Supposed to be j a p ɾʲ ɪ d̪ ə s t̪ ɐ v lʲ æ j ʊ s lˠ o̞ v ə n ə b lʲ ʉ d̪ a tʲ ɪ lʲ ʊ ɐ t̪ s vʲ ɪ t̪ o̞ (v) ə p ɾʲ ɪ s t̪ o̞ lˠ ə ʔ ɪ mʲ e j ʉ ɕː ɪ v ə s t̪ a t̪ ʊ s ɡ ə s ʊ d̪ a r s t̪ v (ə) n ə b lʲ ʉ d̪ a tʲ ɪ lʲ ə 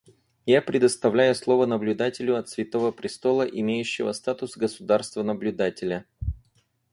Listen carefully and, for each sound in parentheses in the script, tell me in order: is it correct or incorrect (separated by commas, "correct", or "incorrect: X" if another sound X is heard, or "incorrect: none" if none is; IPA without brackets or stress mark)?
correct, correct